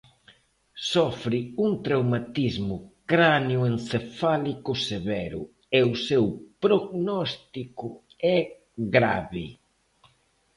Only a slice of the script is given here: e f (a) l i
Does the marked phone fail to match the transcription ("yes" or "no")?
no